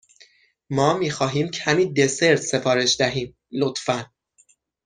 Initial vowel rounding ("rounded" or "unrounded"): rounded